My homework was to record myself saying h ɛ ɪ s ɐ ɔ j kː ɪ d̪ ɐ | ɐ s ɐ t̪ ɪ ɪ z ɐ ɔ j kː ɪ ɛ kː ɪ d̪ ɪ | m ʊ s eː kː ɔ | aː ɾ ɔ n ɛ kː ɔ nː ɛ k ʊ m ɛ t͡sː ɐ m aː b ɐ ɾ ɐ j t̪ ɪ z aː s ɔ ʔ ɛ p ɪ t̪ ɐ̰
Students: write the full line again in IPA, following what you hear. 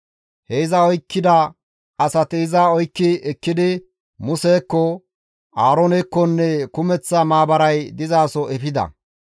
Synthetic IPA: h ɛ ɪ z ɐ ɔ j kː ɪ d̪ ɐ | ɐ s ɐ t̪ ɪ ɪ z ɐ ɔ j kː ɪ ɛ kː ɪ d̪ ɪ | m ʊ s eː kː ɔ | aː ɾ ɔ n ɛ kː ɔ nː ɛ k ʊ m ɛ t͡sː ɐ m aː b ɐ ɾ ɐ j d̪ ɪ z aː s ɔ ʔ ɛ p ɪ d̪ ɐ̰

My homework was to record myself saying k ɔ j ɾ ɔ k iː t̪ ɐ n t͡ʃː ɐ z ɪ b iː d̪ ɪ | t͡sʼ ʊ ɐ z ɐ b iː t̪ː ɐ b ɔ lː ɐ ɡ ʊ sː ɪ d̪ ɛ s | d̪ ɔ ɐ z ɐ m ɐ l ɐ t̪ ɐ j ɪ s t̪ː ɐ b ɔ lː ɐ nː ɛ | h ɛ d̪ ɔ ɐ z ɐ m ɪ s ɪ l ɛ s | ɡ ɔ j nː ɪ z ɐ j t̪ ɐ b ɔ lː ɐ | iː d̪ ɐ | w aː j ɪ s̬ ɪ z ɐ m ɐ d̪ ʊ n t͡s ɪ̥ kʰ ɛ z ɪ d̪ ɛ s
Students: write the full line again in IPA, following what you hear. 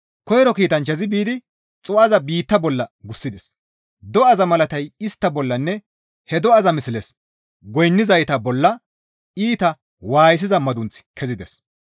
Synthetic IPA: k ɔ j ɾ ɔ k iː t̪ ɐ n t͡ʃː ɐ z ɪ b iː d̪ ɪ | t͡sʼ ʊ ɐ z ɐ b iː t̪ː ɐ b ɔ lː ɐ ɡ ʊ sː ɪ d̪ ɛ s | d̪ ɔ ɐ z ɐ m ɐ l ɐ t̪ ɐ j ɪ s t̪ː ɐ b ɔ lː ɐ nː ɛ | h ɛ d̪ ɔ ɐ z ɐ m ɪ s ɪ l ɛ s | ɡ ɔ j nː ɪ z ɐ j t̪ ɐ b ɔ lː ɐ | iː t̪ ɐ | w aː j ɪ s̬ ɪ z ɐ m ɐ d̪ ʊ n t͡s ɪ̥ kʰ ɛ z ɪ d̪ ɛ s

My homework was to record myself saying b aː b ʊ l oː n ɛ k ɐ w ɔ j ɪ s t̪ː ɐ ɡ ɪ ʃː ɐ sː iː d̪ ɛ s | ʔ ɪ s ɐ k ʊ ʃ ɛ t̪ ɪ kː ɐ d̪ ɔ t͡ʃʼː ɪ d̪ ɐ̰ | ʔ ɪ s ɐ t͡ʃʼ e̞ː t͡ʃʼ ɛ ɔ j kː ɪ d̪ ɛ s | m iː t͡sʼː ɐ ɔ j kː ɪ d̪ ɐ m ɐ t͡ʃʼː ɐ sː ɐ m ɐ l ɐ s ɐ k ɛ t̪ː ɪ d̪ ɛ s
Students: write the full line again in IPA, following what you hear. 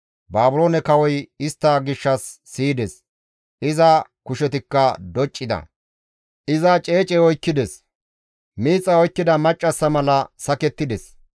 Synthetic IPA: b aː b ʊ l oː n ɛ k ɐ w ɔ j ɪ s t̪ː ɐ ɡ ɪ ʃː ɐ sː iː d̪ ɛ s | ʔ ɪ z ɐ k ʊ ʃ ɛ t̪ ɪ kː ɐ d̪ ɔ t͡ʃʼː ɪ d̪ ɐ̰ | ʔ ɪ z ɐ t͡ʃʼ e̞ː t͡ʃʼ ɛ ɔ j kː ɪ d̪ ɛ s | m iː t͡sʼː ɐ ɔ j kː ɪ d̪ ɐ m ɐ t͡ʃʼː ɐ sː ɐ m ɐ l ɐ s ɐ k ɛ t̪ː ɪ d̪ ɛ s

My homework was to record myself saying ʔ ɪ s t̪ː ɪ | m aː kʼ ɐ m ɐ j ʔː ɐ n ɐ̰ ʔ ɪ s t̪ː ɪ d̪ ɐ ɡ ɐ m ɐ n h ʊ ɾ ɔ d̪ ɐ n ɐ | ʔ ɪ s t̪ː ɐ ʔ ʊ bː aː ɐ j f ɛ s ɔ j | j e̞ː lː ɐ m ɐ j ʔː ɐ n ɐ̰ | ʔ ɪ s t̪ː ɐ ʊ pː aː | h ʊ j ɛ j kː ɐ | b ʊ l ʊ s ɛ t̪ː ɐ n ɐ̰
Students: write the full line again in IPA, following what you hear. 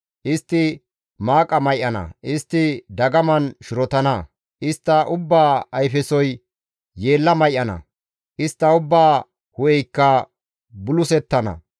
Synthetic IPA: ʔ ɪ s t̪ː ɪ | m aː kʼ ɐ m ɐ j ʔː ɐ n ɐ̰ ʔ ɪ s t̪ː ɪ d̪ ɐ ɡ ɐ m ɐ n ʃ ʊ ɾ ɔ t̪ ɐ n ɐ | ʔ ɪ s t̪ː ɐ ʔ ʊ bː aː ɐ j f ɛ s ɔ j | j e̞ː lː ɐ m ɐ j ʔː ɐ n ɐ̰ | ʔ ɪ s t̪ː ɐ ʊ bː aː | h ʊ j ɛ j kː ɐ | b ʊ l ʊ s ɛ t̪ː ɐ n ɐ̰

